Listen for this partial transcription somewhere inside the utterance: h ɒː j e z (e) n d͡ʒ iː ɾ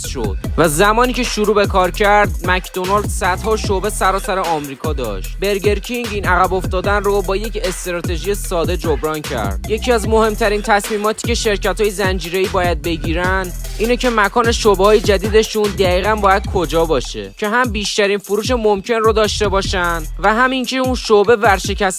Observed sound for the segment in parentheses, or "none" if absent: æ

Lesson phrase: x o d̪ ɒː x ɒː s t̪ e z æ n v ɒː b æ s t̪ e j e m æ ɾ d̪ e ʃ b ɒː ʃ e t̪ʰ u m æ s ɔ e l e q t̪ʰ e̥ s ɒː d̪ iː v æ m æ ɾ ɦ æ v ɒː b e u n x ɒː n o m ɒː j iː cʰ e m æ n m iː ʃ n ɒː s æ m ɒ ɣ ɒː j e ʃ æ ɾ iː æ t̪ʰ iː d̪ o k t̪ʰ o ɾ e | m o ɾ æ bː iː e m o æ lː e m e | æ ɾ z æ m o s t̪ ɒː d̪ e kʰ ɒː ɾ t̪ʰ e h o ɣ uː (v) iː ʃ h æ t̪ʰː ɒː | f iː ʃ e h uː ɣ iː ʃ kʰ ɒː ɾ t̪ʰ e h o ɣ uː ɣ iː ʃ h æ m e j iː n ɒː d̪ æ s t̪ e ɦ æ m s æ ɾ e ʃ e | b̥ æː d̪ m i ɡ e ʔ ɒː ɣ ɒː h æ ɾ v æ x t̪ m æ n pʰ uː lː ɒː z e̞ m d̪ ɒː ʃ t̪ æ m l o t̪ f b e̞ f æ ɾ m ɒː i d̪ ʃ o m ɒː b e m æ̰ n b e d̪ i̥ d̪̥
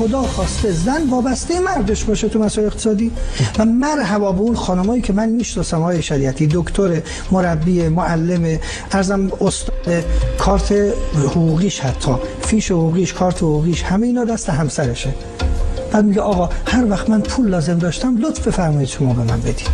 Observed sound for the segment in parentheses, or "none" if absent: ɣ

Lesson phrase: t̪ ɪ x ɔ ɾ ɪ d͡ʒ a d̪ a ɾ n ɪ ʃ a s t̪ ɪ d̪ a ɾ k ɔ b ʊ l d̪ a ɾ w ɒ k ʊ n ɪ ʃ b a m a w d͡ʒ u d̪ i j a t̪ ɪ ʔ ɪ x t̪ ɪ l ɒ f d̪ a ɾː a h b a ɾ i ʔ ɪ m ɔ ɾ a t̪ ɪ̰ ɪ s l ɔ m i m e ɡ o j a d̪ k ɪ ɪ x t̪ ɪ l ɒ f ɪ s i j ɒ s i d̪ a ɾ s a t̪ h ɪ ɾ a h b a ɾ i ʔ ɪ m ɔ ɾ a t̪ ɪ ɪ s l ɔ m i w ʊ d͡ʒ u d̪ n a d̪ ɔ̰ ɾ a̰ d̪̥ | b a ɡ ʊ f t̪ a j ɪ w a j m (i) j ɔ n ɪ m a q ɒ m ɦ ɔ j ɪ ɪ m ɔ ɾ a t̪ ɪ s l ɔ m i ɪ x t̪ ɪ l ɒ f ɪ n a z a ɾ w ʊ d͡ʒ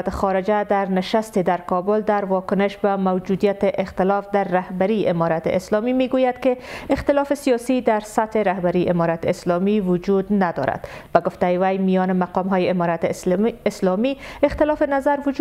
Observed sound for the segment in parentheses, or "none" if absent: i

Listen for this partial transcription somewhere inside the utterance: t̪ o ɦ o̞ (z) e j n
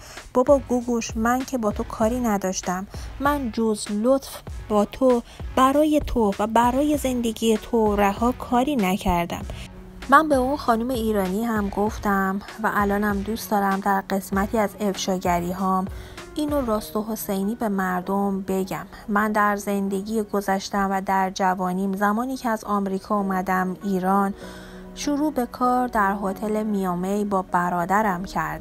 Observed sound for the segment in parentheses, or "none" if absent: s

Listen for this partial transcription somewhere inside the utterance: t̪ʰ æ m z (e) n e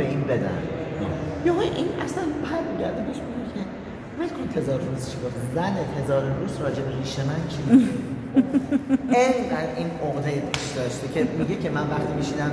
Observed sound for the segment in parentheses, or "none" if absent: æ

